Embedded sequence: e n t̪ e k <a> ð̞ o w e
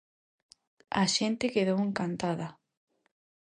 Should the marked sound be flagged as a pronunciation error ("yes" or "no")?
yes